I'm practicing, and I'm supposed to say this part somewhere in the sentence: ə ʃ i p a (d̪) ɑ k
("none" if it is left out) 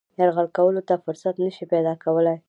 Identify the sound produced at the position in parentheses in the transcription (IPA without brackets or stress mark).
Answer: d̪